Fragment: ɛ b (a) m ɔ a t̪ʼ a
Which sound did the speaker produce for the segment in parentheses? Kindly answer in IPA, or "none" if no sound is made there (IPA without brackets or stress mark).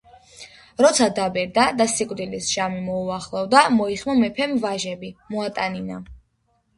i